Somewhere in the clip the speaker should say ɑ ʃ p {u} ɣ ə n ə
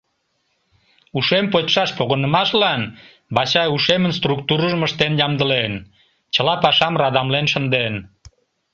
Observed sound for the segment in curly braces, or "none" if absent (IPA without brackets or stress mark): o